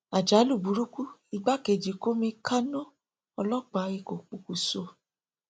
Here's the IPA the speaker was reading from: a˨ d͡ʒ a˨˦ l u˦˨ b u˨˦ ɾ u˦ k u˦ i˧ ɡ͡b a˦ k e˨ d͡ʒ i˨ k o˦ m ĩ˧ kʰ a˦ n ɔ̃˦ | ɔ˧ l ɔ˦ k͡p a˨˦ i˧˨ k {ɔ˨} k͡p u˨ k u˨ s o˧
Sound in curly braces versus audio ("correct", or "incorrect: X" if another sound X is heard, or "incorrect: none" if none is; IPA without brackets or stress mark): incorrect: o˨